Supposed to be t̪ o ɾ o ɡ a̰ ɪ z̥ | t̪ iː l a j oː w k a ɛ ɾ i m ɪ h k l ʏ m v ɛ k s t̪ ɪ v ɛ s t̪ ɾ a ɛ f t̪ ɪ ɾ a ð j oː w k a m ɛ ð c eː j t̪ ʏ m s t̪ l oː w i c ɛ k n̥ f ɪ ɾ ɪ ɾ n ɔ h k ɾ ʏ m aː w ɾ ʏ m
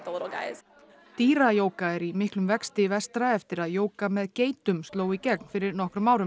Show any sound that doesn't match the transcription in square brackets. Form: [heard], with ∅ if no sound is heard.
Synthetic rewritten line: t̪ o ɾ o ɡ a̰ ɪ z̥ | t̪ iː [ɾ] a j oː w k a ɛ ɾ i m ɪ h k l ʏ m v ɛ k s t̪ ɪ v ɛ s t̪ ɾ a ɛ f t̪ ɪ ɾ a ð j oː w k a m ɛ ð c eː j t̪ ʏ m s t̪ l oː w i c ɛ k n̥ f ɪ ɾ ɪ ɾ n ɔ h k ɾ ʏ m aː w ɾ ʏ m